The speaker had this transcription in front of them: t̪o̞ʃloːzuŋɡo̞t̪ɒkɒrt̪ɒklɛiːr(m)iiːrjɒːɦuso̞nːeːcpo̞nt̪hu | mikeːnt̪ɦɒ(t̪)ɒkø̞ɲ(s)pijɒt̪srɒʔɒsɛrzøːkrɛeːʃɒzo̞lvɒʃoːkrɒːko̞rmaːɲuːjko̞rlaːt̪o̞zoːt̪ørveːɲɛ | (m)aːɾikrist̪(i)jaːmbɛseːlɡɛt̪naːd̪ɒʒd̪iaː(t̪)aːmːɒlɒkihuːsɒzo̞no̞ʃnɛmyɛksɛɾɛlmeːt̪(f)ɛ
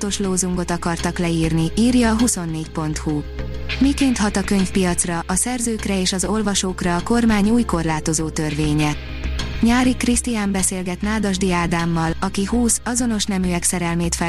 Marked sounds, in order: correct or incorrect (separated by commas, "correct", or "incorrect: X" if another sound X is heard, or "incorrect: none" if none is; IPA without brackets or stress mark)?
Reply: incorrect: n, correct, incorrect: f, incorrect: ɲ, correct, incorrect: d̪, correct